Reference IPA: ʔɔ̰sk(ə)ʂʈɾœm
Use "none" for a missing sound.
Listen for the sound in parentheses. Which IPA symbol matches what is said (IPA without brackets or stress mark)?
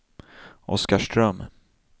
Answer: a